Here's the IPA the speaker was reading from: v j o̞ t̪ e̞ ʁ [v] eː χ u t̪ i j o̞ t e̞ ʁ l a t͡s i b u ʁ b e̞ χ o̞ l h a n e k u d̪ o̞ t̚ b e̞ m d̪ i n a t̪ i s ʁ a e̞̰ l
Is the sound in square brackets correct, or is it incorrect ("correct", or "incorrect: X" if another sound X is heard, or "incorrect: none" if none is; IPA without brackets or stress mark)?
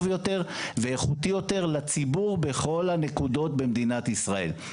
correct